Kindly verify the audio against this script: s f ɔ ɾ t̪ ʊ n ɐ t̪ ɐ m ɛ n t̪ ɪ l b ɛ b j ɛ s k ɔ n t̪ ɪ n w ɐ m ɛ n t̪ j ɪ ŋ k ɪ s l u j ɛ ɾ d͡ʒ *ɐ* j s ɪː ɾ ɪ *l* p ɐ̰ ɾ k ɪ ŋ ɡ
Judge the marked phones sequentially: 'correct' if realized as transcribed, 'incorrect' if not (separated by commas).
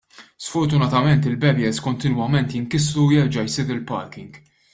correct, correct